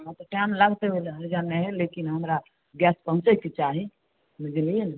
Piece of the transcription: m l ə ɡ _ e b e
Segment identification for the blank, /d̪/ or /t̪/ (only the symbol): t̪